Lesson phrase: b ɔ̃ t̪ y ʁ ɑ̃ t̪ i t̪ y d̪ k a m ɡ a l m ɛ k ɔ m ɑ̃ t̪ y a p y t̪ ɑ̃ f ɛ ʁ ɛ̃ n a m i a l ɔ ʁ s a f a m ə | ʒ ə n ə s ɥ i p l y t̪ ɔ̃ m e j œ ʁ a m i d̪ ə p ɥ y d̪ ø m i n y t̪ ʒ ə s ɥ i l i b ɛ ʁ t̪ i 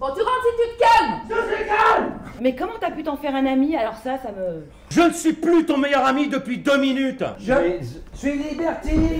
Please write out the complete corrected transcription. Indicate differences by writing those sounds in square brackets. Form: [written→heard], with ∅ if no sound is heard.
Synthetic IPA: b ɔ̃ t̪ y ʁ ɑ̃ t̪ i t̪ y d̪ k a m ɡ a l m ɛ k ɔ m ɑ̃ t̪ y a p y t̪ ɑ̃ f ɛ ʁ ɛ̃ n a m i a l ɔ ʁ s a [f→s] a m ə | ʒ ə n ə s ɥ i p l y t̪ ɔ̃ m e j œ ʁ a m i d̪ ə p ɥ [y→i] d̪ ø m i n y t̪ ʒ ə s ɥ i l i b ɛ ʁ t̪ i